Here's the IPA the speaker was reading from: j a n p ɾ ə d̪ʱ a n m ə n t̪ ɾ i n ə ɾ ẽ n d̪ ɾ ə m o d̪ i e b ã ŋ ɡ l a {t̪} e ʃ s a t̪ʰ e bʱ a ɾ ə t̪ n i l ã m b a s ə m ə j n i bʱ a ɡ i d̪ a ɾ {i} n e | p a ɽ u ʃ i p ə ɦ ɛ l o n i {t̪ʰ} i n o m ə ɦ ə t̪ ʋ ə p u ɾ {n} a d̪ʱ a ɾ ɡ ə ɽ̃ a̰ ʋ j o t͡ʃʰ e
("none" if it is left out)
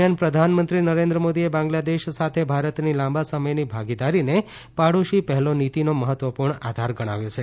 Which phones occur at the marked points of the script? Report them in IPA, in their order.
d̪, i, t̪, ɳ

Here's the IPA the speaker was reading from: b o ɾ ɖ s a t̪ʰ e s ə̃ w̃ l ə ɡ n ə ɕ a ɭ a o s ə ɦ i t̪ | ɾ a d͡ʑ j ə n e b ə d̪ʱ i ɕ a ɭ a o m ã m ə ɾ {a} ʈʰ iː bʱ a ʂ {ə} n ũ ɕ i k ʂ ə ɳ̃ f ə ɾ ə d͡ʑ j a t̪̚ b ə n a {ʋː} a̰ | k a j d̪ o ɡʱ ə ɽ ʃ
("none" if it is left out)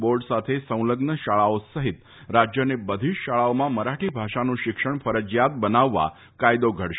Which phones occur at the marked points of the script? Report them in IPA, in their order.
a, a, ʋː

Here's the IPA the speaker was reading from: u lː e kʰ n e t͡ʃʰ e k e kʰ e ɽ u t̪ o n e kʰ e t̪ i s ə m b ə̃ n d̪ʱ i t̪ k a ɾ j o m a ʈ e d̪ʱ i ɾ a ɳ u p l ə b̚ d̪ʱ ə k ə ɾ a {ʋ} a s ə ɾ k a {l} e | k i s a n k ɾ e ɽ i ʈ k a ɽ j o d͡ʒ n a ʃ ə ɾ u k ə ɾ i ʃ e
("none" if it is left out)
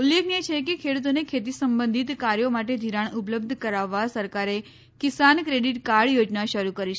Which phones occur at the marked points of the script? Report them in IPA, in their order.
ʋː, ɾ

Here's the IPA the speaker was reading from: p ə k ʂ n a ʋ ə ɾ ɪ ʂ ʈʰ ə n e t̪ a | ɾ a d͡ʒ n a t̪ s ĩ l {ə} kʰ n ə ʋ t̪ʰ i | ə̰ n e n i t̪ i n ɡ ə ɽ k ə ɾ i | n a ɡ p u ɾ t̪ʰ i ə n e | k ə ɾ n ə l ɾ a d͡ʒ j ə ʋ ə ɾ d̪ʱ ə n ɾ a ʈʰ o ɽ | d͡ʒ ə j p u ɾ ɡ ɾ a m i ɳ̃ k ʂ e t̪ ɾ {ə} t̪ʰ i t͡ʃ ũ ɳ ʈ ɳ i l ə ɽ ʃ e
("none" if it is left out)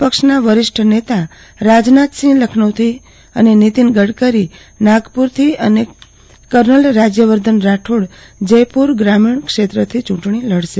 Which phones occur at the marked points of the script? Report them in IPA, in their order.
ə, ə

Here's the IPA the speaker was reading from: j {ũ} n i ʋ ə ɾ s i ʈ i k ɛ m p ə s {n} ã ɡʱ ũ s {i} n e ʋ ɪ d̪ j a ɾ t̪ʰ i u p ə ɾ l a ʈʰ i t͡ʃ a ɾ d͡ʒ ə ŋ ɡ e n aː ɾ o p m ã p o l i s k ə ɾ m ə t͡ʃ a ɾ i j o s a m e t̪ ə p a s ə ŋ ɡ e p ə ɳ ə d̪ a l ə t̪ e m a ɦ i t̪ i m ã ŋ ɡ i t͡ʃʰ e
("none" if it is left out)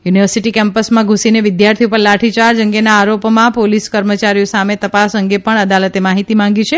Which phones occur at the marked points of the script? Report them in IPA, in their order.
u, m, i

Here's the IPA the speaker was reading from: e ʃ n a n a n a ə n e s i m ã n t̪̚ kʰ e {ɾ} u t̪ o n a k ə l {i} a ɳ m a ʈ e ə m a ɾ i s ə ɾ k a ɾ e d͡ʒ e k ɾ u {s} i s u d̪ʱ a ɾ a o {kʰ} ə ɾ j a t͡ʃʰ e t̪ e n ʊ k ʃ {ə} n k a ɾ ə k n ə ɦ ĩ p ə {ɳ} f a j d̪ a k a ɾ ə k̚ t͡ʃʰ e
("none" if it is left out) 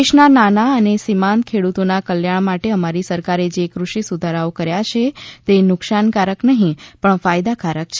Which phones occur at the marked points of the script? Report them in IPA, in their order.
ɽ, j, ʃ, k, a, ɳ

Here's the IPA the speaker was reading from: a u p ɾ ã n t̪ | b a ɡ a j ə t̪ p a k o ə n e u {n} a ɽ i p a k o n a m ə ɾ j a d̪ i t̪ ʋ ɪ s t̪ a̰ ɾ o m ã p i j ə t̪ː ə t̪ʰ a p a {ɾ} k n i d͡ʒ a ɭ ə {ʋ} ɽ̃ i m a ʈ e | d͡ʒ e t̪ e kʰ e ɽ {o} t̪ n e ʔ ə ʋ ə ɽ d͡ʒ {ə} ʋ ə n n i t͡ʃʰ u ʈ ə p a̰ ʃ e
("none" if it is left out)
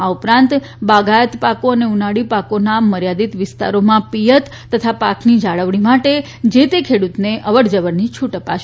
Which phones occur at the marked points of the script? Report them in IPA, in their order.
n, none, ʋ, u, ə

